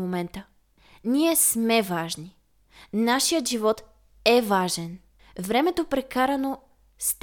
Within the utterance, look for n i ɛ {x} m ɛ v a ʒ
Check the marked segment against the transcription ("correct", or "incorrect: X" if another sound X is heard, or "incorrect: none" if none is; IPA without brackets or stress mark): incorrect: s